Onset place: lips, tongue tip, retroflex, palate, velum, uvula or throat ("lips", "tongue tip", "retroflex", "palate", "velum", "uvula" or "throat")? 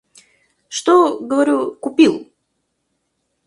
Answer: retroflex